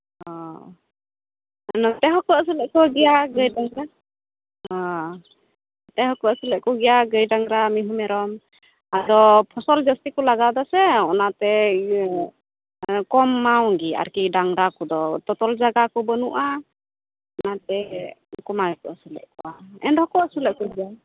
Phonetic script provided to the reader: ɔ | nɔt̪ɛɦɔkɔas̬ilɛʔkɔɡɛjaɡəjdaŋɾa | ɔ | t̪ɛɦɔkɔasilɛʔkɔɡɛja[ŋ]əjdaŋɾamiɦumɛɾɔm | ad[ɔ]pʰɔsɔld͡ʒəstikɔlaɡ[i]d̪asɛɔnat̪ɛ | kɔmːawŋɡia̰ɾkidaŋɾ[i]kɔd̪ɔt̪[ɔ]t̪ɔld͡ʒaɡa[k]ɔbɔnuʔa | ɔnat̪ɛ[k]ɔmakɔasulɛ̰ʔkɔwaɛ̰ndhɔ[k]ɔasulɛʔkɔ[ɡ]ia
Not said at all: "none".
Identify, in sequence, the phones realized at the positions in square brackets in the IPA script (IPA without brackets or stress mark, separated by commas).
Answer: ɡ, ɔ, a, a, ɔ, k, k, k, ɡ